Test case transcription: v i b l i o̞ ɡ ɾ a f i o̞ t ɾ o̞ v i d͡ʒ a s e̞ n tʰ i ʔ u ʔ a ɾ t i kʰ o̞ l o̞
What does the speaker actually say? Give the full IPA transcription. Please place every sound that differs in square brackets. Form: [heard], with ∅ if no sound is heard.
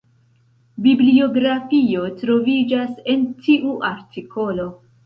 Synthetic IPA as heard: [b] i b l i o̞ ɡ ɾ a f i o̞ t ɾ o̞ v i d͡ʒ a s e̞ n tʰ i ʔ u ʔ a ɾ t i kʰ o̞ l o̞